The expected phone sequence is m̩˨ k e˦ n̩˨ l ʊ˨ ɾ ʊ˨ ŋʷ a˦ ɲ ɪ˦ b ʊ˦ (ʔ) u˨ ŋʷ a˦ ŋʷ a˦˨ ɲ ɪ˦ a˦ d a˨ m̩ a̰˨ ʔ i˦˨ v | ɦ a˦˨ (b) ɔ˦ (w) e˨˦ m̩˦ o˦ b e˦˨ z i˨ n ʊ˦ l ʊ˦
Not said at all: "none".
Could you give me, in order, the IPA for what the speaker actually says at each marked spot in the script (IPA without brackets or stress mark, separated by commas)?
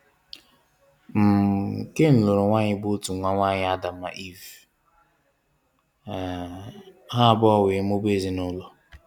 t, b, w